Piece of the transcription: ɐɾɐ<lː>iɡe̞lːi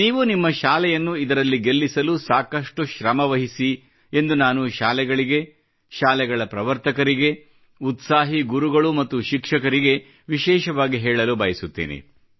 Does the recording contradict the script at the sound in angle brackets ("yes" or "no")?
no